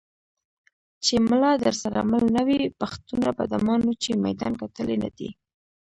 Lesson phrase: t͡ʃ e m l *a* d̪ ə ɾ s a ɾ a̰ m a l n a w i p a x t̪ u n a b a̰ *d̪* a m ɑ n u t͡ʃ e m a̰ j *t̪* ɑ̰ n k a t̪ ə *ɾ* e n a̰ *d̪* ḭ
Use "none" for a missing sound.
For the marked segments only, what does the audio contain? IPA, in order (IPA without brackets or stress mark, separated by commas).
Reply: ɑ, d̪, d̪, l, d̪